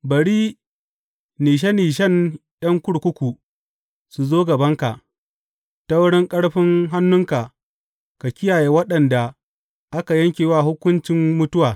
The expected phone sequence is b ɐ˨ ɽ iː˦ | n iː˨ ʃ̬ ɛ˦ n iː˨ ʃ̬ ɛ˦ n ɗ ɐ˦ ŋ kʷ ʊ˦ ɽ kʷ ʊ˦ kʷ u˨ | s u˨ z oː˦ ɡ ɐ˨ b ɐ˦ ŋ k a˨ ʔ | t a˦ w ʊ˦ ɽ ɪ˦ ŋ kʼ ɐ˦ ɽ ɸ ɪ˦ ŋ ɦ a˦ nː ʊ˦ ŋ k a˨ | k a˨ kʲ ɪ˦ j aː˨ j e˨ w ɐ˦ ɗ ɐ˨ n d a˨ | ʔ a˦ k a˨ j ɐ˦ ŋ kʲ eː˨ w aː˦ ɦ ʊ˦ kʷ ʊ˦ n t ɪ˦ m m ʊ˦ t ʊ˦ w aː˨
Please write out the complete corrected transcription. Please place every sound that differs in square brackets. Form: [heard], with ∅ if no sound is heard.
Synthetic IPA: b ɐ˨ ɽ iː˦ | n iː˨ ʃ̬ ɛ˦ n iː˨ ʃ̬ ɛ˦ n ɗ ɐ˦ ŋ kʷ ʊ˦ ɽ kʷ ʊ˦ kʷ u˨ | s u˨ z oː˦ ɡ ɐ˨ b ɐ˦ ŋ k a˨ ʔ | t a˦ w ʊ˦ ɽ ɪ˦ ŋ kʼ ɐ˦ ɽ ɸ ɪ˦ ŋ ɦ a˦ nː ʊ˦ ŋ k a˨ | k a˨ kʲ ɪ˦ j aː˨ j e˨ w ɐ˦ ɗ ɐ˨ n d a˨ | ʔ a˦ k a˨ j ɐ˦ ŋ kʲ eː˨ w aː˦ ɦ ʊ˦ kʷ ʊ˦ n [t͡ʃ] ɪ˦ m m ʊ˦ t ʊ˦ w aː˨